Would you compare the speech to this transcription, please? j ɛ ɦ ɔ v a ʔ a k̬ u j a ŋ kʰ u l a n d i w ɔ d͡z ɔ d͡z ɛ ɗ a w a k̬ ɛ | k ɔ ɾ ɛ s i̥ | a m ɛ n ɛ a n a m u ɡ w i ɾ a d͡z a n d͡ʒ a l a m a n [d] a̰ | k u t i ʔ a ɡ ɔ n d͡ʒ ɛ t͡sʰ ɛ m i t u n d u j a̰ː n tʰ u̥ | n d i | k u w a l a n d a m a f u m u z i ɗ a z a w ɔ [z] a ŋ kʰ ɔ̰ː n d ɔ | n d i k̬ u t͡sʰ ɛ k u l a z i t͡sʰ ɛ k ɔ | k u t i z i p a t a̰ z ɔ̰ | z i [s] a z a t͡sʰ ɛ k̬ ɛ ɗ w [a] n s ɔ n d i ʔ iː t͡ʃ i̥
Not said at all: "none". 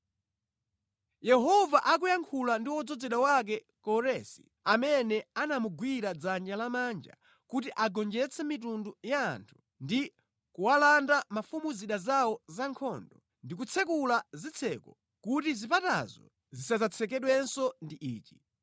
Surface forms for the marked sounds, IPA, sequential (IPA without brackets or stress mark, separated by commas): d͡ʒ, z, s, ɛ